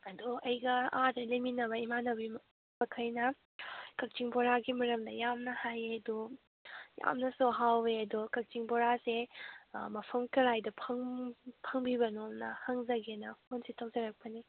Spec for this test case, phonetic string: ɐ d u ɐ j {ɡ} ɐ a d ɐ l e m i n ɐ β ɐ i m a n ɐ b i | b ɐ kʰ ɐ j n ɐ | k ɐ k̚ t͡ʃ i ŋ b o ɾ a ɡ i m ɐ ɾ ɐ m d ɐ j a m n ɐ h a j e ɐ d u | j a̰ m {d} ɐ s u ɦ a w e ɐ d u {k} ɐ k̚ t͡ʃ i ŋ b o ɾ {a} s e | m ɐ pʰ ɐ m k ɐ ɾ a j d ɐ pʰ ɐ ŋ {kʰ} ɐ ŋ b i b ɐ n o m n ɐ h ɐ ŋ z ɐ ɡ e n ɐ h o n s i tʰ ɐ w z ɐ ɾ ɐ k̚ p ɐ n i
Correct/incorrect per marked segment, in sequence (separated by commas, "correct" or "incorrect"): correct, incorrect, correct, correct, incorrect